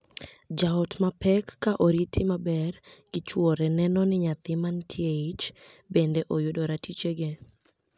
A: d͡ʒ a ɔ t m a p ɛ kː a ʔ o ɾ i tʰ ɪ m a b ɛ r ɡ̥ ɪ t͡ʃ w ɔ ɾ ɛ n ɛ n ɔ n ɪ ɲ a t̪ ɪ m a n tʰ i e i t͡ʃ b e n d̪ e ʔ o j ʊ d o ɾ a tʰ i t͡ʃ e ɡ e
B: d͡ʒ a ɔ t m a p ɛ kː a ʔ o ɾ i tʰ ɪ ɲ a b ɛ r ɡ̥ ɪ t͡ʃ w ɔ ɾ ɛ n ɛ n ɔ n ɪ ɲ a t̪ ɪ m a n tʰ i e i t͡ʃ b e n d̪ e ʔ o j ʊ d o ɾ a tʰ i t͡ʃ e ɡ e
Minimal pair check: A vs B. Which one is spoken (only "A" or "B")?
A